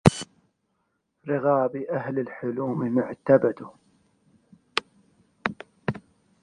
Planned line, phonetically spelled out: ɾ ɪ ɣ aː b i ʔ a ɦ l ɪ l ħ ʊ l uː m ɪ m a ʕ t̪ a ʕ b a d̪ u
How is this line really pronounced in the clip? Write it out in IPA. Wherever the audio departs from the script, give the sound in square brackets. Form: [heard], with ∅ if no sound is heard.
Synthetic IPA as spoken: ɾ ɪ ɣ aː b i ʔ a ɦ l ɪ l ħ ʊ l uː m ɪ m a ʕ t̪ a [∅] b a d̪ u

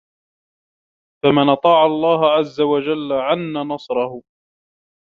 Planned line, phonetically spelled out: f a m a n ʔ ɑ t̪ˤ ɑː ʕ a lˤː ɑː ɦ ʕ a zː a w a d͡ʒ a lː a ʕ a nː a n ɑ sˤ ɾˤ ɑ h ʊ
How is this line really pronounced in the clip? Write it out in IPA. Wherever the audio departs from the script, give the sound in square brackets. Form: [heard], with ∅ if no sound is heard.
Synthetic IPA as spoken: f a m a n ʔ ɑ t̪ˤ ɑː ʕ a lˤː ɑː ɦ ʕ a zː a w a d͡ʒ a lː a ʕ a nː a n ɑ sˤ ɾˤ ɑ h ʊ

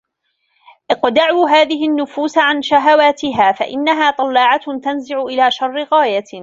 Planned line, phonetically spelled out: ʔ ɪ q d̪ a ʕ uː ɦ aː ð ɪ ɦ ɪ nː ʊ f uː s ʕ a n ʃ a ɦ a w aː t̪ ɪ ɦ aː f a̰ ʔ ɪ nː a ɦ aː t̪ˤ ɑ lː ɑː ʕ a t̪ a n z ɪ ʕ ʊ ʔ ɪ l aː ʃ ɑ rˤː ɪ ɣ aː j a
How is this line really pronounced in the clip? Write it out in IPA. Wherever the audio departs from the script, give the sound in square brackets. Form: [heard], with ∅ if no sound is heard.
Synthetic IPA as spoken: ʔ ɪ q d̪ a ʕ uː ɦ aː ð ɪ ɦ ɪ nː ʊ f uː s ʕ a n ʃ a ɦ a w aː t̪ ɪ ɦ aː f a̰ ʔ ɪ nː a ɦ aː t̪ˤ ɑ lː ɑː ʕ a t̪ a n z ɪ ʕ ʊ ʔ ɪ l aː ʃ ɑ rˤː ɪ ɣ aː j a

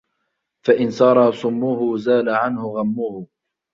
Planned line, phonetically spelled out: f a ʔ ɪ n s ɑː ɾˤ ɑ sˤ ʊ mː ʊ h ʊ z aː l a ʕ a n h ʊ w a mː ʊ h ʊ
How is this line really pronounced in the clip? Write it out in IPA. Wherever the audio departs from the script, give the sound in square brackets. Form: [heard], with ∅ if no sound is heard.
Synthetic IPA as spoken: f a ʔ ɪ n s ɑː ɾˤ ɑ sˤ ʊ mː ʊ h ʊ z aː l a ʕ a n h ʊ [ɣ] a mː ʊ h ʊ

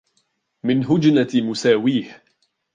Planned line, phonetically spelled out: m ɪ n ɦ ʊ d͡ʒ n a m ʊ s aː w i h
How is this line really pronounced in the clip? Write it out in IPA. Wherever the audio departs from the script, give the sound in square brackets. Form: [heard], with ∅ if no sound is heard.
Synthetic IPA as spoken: m ɪ n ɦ ʊ d͡ʒ n a m ʊ s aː w [iː] h

